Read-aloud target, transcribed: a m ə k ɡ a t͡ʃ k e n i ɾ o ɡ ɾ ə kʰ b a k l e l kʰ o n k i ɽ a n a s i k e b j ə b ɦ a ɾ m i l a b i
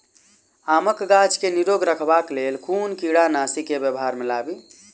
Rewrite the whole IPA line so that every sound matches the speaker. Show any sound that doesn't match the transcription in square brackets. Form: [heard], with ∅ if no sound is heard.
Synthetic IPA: a m ə k ɡ a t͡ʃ k e n i ɾ o ɡ ɾ ə kʰ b a k l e l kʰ [u] n k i ɽ a n a s i k e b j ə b ɦ a ɾ m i l a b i